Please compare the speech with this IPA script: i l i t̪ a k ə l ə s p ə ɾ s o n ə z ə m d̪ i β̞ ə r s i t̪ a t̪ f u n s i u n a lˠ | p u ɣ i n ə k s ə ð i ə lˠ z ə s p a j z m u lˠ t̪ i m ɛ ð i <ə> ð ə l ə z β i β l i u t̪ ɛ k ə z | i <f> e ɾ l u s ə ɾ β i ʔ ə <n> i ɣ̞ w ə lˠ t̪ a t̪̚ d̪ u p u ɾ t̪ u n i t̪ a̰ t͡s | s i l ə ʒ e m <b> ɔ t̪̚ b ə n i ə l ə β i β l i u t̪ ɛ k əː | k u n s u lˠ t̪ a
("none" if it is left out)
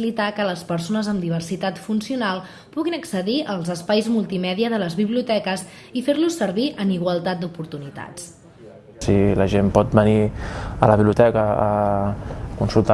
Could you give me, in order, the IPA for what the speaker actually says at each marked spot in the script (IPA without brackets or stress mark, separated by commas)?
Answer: ə, f, n, p